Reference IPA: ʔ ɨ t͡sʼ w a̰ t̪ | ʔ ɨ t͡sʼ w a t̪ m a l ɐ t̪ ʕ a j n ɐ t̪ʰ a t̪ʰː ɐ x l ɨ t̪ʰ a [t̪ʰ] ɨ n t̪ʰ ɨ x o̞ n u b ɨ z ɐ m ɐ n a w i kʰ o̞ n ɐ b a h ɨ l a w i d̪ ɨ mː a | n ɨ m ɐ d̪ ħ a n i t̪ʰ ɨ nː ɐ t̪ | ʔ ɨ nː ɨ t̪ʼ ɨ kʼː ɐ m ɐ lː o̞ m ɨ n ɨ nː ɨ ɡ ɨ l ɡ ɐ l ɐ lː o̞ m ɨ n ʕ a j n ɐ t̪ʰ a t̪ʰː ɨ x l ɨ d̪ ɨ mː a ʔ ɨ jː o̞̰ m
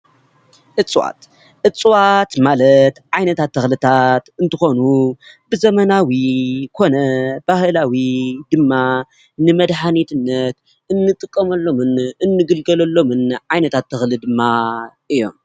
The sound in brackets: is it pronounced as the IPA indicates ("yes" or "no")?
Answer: no